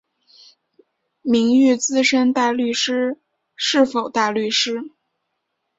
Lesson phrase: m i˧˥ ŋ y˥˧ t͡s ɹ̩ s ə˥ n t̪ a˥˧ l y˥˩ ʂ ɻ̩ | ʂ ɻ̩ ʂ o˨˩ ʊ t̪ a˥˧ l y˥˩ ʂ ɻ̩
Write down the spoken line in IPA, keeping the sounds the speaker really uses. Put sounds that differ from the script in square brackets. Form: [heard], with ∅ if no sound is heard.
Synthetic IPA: m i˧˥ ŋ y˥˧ t͡s ɹ̩ [ʂ] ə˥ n t̪ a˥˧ l y˥˩ ʂ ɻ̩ | ʂ ɻ̩ [f] o˨˩ ʊ t̪ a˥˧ l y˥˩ ʂ ɻ̩